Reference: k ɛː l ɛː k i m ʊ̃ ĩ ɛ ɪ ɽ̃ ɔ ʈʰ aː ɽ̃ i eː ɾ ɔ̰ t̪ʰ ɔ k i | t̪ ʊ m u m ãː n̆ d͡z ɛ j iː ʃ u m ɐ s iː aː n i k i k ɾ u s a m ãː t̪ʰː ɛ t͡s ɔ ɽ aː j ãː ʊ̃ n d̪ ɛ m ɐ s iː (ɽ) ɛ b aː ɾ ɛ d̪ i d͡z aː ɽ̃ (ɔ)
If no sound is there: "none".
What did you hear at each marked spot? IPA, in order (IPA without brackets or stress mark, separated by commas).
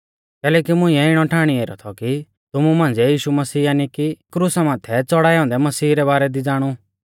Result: ɾ, u